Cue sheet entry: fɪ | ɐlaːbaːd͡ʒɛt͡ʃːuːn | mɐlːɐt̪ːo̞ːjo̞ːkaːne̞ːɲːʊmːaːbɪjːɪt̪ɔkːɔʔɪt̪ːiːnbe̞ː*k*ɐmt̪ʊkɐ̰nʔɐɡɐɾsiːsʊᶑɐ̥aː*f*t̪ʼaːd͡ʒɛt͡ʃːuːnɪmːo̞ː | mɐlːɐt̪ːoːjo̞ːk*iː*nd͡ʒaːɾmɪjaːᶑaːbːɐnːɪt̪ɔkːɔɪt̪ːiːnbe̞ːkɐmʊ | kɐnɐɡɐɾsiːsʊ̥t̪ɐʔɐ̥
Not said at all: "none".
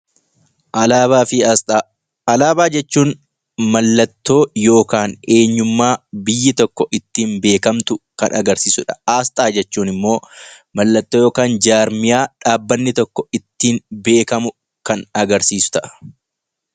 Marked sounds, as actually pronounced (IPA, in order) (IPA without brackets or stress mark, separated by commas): k, s, aː